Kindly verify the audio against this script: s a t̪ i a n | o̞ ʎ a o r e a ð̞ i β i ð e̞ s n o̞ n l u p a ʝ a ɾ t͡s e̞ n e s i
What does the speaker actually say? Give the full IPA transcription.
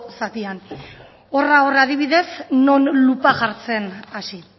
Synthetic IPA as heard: s a t̪ i a n | o̞ r a o r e a ð̞ i β i ð e̞ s n o̞ n l u p a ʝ a ɾ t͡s e̞ n a s i